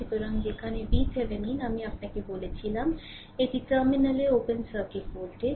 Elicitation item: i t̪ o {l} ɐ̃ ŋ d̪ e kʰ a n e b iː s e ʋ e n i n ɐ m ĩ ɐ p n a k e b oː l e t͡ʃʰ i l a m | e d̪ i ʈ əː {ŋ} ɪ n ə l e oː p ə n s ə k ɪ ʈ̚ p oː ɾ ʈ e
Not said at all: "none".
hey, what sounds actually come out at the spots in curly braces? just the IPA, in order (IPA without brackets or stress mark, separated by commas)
ɾ, m